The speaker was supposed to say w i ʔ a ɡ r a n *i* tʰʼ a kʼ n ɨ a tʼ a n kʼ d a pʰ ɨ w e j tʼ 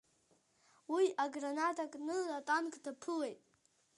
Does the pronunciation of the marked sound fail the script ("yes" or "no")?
yes